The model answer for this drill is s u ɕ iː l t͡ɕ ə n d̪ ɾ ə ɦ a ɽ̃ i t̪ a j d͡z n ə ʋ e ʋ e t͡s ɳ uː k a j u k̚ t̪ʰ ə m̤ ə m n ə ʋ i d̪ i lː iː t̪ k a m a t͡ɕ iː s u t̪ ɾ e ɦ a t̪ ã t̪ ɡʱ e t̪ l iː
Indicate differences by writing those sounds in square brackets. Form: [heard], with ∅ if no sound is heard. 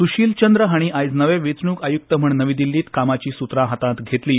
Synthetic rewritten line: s u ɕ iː l t͡ɕ ə n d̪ ɾ ə ɦ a ɽ̃ i [∅] a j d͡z n ə ʋ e ʋ e t͡s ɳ uː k a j u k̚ [t̪] ə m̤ ə [ɳ] n ə ʋ i d̪ i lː iː t̪ k a m a t͡ɕ iː s u t̪ ɾ [a] ɦ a t̪ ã t̪ ɡʱ e t̪ l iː